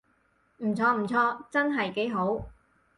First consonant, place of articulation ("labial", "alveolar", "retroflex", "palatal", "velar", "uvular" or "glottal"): labial